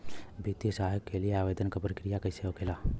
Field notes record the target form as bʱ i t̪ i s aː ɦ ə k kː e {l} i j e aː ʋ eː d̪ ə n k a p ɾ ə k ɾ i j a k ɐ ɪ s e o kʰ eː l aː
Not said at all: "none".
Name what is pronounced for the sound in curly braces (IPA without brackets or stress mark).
l